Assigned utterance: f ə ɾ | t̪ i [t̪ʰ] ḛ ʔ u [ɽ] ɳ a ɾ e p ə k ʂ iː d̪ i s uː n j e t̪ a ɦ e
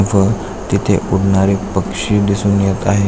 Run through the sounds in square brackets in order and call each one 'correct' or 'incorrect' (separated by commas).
correct, correct